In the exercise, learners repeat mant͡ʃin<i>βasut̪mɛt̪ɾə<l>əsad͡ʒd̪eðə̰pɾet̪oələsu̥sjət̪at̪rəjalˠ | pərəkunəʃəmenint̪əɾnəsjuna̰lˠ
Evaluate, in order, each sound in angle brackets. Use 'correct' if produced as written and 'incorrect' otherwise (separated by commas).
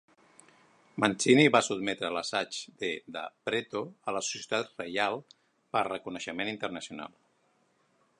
correct, correct